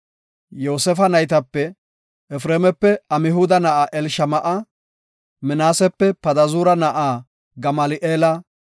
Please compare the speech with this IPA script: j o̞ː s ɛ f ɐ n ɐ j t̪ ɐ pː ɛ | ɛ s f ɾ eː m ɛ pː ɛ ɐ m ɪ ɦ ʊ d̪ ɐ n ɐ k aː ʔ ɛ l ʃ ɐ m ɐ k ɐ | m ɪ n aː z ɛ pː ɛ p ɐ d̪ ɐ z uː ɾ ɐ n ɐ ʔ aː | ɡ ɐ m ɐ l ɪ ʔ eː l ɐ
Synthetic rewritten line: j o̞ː s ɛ f ɐ n ɐ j t̪ ɐ pː ɛ | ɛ f ɾ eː m ɛ pː ɛ ɐ m ɪ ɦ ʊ d̪ ɐ n ɐ ʔ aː ʔ ɛ l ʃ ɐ m ɐ ʔ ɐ | m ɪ n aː s ɛ pː ɛ p ɐ d̪ ɐ z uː ɾ ɐ n ɐ ʔ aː | ɡ ɐ m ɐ l ɪ ʔ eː l ɐ